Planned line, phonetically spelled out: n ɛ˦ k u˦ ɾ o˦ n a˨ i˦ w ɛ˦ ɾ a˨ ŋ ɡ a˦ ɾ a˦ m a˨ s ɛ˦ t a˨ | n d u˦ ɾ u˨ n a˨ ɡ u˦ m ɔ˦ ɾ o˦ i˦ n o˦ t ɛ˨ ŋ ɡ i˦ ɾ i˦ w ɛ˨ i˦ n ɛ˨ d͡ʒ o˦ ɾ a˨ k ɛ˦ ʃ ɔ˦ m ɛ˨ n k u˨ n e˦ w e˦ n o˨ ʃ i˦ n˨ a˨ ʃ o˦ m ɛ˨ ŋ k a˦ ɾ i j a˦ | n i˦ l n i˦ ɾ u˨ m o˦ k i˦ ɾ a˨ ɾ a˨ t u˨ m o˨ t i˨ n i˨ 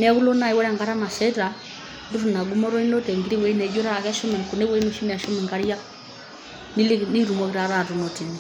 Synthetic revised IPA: n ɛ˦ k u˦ l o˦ n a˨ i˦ w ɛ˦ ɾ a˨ ŋ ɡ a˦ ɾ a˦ m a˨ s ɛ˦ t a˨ | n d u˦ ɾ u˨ n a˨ ɡ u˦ m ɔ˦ ɾ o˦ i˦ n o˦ t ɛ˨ ŋ ɡ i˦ ɾ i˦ w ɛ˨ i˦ n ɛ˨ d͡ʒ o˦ ɾ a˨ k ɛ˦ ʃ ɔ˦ m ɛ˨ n k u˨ n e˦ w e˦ n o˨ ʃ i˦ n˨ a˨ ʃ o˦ m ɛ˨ ŋ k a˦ ɾ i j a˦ | n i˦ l n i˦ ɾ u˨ m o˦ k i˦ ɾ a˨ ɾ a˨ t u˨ n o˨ t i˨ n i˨